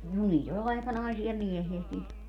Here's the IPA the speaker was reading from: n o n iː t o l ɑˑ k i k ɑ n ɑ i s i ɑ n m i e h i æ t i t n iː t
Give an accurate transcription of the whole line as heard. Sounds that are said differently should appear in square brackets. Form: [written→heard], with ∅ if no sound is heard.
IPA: n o n iː t o l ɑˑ [k→∅] i k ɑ n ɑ i s i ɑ [n→∅] m i e h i æ [t→s] i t n iː t